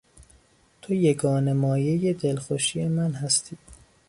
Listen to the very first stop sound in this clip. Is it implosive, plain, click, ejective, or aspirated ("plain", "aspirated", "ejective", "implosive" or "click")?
aspirated